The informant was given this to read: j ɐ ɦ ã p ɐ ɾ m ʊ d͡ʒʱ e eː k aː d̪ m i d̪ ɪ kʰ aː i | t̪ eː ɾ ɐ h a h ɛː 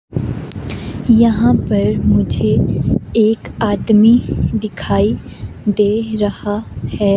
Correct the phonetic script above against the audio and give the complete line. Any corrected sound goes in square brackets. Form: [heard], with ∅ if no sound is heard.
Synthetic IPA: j ɐ ɦ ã p ɐ ɾ m ʊ d͡ʒʱ e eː k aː d̪ m i d̪ ɪ kʰ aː i | [d̪] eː ɾ ɐ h a h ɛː